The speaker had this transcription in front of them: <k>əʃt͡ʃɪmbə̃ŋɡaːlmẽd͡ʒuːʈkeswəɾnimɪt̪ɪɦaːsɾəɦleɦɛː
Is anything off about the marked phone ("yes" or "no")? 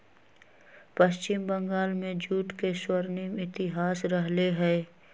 yes